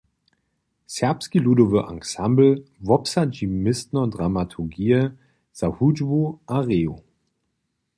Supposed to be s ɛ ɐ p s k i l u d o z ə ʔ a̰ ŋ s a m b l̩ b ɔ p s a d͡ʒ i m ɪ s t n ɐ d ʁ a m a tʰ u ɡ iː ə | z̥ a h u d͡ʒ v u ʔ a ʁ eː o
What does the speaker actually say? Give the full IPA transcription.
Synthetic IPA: s ɛ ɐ p s k i l u d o v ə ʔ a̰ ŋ s a m b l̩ v ɔ p s a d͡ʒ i m ɪ s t n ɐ d ʁ a m a tʰ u ɡ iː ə | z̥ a h u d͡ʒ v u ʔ a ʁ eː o